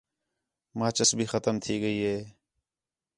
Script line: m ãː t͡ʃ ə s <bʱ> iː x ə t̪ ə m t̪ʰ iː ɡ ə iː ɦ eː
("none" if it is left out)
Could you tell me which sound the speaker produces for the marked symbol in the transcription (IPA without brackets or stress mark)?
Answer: bʱ